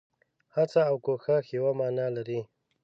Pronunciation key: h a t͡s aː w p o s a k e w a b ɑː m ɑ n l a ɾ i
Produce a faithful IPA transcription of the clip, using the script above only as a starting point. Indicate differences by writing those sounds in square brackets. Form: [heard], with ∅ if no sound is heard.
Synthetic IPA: h a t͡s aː w [k] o [x] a [x] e w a [m] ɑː [n] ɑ [∅] l a ɾ i